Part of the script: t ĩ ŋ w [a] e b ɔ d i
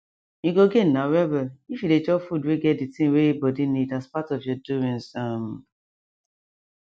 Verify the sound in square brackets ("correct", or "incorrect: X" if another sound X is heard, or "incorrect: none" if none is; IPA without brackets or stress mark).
incorrect: e